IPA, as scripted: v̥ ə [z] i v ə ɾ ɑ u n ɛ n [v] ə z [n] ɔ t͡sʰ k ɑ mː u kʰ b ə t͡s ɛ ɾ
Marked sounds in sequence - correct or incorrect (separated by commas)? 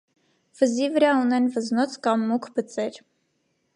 correct, correct, correct